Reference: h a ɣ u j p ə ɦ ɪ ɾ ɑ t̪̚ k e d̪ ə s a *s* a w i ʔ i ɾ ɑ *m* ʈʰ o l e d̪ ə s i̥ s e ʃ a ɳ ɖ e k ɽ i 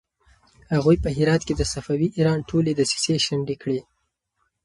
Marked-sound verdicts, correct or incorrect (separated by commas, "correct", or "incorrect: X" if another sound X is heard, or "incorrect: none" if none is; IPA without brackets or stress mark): incorrect: f, incorrect: n